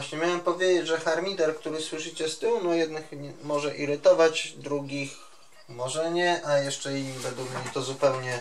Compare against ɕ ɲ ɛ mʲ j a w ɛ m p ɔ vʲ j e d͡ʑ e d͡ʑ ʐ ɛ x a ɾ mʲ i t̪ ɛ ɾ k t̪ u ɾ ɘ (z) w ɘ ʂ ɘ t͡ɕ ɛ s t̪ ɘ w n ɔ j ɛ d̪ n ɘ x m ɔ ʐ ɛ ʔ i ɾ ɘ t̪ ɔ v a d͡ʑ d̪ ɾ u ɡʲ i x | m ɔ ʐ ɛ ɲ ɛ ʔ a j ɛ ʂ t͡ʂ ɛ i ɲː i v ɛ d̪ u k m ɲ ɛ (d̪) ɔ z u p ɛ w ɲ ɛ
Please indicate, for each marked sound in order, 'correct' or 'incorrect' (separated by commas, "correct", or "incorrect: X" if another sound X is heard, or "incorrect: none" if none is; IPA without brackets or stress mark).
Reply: incorrect: s, incorrect: t̪